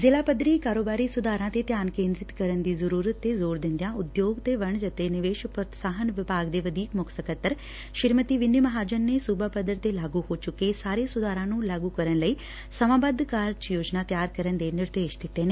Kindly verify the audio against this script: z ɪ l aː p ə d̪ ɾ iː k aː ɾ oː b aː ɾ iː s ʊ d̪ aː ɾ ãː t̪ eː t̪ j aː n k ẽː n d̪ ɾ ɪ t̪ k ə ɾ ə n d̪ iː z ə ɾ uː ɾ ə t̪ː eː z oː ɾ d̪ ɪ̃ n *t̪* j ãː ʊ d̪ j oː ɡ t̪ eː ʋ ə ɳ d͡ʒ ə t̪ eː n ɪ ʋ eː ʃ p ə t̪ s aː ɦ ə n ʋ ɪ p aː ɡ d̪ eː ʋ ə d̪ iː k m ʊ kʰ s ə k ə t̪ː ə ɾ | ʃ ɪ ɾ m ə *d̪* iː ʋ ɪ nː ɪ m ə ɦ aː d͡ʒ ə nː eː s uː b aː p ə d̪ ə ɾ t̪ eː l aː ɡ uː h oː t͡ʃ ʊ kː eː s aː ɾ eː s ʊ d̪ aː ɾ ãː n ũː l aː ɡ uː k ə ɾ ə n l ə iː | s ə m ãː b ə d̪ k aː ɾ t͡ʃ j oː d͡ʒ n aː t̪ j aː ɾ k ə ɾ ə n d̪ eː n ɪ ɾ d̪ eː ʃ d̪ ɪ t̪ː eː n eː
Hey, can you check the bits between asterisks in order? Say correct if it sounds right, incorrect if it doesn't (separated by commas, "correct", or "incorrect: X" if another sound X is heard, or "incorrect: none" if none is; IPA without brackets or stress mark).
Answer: incorrect: d̪, incorrect: t̪